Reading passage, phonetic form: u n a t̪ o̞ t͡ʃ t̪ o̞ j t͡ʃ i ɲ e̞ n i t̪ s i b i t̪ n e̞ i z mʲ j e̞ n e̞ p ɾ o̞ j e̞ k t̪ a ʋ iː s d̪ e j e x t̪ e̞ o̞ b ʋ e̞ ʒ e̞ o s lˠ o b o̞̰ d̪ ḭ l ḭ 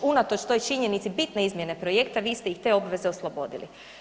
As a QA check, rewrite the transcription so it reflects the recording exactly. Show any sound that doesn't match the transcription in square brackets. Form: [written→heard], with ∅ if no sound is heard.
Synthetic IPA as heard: u n a t̪ o̞ t͡ʃ t̪ o̞ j t͡ʃ i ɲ e̞ n i t̪ s i b i t̪ n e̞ i z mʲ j e̞ n e̞ p ɾ o̞ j e̞ k t̪ a ʋ iː s [d̪→t̪] e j [e→i] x t̪ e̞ o̞ b ʋ e̞ [ʒ→z] e̞ o s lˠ o b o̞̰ d̪ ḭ l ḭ